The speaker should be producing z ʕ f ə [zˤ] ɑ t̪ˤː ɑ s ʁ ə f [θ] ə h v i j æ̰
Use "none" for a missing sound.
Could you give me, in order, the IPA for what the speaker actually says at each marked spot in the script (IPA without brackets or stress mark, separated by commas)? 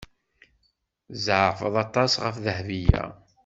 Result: ðˤ, ð